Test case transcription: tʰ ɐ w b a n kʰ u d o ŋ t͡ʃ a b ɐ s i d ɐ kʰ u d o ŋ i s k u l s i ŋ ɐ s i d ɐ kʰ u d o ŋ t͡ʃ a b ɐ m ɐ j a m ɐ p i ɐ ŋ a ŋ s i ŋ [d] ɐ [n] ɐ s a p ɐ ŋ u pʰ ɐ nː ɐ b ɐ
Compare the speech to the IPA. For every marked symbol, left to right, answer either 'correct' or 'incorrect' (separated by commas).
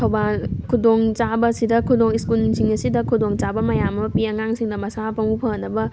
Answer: correct, incorrect